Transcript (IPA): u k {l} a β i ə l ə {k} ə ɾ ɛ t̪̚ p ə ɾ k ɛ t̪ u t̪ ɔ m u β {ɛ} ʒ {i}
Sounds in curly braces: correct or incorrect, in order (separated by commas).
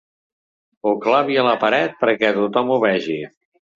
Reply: correct, incorrect, correct, correct